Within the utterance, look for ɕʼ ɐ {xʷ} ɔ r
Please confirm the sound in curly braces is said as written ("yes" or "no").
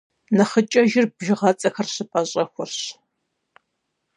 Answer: yes